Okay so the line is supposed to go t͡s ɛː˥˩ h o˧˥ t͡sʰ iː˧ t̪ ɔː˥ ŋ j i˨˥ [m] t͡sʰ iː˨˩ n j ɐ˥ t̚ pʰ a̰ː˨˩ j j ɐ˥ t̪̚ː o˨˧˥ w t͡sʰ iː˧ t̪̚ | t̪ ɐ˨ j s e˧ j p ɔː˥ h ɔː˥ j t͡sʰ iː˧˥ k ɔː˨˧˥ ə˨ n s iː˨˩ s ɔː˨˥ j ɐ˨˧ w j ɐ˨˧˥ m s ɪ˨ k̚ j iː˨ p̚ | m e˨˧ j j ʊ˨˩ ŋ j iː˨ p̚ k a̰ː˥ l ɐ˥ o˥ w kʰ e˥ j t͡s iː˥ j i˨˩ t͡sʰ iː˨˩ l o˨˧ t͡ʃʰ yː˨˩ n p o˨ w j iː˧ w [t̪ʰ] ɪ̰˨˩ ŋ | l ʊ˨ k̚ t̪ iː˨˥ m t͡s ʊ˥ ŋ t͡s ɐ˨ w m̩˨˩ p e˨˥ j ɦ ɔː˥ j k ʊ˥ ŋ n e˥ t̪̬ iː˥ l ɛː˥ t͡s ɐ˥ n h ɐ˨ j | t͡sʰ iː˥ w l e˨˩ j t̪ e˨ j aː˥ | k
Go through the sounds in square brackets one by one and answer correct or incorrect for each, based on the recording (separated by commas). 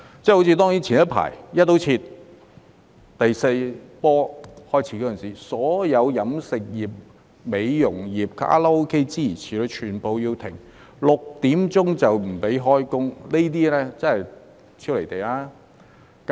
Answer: incorrect, correct